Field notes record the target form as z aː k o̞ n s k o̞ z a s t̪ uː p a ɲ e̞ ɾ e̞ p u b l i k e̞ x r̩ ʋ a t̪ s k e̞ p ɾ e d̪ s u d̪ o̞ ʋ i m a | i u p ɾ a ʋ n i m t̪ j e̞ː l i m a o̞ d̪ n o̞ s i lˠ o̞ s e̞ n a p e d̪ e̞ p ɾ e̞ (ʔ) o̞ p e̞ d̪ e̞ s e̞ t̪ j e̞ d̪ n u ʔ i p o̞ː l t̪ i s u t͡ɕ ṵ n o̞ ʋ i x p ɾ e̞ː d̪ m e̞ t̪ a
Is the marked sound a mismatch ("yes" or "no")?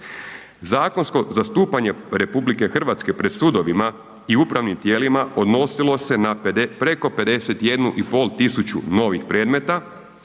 yes